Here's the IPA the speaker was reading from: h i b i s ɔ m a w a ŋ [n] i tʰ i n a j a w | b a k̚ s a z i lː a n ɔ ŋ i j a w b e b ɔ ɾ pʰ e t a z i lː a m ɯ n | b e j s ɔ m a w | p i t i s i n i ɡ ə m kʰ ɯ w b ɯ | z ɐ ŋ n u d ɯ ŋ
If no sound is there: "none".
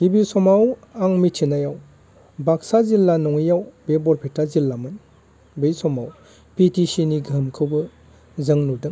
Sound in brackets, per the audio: m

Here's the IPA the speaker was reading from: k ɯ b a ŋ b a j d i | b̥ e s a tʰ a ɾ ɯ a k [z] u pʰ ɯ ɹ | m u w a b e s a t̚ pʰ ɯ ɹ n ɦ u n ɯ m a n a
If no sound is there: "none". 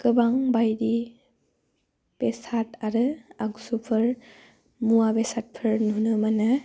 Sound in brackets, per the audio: s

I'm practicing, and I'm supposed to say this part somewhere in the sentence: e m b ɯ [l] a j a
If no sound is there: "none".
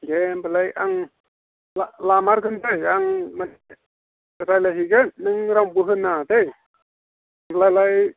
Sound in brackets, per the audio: l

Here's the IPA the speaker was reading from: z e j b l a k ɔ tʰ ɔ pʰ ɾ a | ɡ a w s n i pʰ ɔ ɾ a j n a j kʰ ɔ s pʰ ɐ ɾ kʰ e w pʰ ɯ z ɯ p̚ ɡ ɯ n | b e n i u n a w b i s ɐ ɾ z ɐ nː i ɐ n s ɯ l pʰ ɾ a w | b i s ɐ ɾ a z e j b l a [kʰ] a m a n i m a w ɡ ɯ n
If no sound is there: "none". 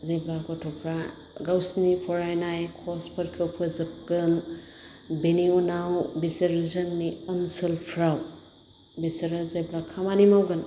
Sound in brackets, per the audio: kʰ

